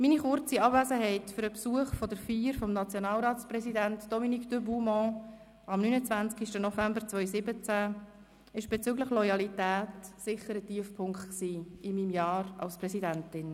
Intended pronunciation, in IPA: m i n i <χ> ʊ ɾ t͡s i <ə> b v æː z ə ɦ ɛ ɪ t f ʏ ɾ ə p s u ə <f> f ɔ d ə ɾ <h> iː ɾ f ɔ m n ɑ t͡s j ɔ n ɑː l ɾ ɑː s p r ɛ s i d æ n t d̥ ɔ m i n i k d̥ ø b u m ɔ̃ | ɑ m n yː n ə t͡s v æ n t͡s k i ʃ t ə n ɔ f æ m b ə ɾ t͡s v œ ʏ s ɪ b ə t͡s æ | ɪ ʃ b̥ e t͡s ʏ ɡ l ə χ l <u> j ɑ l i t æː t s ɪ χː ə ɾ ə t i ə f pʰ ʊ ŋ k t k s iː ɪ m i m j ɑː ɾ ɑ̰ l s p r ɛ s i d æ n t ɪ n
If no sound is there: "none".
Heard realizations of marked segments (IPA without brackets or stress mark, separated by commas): χ, ɑ, χ, f, ɔ